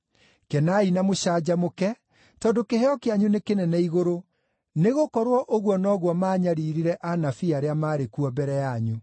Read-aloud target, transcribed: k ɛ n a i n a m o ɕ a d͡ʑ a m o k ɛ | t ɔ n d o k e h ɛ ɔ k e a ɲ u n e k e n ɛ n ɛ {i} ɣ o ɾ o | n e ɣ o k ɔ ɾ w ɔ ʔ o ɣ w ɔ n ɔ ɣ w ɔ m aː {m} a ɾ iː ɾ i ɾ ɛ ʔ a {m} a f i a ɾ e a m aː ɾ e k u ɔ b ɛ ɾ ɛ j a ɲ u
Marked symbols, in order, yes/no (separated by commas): yes, no, no